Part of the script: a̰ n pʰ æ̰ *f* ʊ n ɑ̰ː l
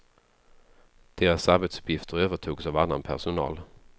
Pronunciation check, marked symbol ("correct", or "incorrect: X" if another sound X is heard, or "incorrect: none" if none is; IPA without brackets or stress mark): incorrect: ʂ